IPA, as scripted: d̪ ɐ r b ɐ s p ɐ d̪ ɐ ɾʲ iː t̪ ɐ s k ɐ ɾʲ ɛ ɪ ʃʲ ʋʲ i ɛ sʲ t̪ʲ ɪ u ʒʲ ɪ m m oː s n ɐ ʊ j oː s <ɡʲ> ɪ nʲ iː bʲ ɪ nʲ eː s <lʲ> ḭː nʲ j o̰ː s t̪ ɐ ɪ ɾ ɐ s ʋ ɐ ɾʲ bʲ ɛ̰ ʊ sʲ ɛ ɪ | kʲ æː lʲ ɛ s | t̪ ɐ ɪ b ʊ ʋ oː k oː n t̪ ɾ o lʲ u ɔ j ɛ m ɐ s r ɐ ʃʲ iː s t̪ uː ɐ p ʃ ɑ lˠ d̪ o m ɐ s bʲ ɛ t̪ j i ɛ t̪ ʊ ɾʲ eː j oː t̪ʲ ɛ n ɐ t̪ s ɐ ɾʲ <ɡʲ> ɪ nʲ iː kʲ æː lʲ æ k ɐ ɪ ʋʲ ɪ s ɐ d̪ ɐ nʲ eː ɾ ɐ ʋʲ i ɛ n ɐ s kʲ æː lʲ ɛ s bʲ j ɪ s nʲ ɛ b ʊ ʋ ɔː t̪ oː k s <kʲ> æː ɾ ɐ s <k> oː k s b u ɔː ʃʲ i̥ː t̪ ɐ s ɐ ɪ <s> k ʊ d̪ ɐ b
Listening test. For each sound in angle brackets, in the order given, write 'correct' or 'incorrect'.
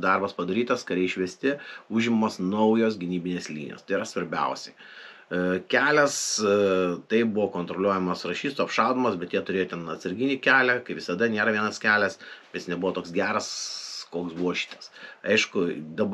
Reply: correct, correct, correct, incorrect: ɡʲ, correct, incorrect: ʃ

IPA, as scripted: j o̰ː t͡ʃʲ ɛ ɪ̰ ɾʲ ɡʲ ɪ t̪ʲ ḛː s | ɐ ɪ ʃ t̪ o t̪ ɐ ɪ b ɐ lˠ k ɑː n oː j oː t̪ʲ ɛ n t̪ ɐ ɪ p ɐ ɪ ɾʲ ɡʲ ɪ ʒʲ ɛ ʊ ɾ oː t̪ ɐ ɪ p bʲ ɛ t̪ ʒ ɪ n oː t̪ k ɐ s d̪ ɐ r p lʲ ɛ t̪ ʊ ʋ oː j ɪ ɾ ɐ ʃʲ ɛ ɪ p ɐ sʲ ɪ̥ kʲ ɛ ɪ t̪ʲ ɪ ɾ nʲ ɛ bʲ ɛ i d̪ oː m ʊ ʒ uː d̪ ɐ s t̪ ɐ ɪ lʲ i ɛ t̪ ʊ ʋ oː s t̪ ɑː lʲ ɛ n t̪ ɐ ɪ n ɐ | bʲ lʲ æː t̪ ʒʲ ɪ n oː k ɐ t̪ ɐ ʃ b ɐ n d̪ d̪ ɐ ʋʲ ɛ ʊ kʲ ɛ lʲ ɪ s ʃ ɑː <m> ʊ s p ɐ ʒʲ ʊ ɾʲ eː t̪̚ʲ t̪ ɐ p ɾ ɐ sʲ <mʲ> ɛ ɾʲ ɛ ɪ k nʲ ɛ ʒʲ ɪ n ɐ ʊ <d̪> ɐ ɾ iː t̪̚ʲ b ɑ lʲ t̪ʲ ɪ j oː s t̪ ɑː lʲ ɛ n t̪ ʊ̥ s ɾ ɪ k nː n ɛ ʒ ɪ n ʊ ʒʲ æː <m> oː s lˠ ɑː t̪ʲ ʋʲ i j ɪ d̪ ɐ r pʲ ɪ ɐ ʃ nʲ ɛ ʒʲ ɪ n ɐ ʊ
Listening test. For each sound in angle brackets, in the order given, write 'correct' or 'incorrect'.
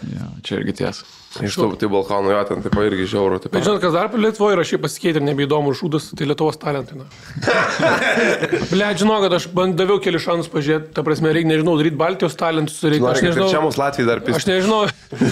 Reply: incorrect: n, correct, correct, correct

